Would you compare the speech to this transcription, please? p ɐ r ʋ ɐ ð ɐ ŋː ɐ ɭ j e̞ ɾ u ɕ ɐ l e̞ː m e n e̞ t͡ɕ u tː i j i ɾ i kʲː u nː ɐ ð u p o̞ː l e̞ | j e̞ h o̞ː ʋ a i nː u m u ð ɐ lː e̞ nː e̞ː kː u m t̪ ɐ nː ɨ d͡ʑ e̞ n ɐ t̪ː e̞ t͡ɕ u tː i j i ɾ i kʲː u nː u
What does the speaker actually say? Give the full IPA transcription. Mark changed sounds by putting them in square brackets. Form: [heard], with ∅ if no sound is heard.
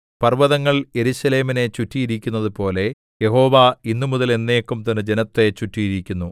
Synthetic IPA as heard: p ɐ r ʋ ɐ ð ɐ ŋː ɐ ɭ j e̞ ɾ u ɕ ɐ l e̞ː m [i] n e̞ t͡ɕ u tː i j i ɾ i kʲː u nː ɐ ð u p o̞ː l e̞ | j e̞ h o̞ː ʋ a i nː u m u ð ɐ [l] e̞ nː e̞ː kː u m t̪ ɐ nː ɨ d͡ʑ e̞ n ɐ t̪ː e̞ t͡ɕ u tː i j i ɾ i kʲː u nː u